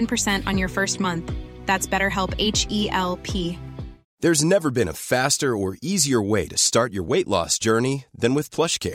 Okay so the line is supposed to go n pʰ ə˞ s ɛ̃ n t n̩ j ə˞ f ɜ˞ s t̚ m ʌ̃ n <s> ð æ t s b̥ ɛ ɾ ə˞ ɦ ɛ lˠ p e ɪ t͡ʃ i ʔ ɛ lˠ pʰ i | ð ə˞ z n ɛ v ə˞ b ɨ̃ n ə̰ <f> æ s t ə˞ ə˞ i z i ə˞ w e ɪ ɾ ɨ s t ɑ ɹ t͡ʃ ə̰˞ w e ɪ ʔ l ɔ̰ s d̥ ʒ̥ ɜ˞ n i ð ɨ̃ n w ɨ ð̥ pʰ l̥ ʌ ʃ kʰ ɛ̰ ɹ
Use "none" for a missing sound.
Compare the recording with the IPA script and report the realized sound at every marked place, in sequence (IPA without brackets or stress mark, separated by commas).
θ, f